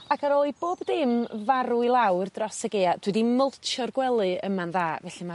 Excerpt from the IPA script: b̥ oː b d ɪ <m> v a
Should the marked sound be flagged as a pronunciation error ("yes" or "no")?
no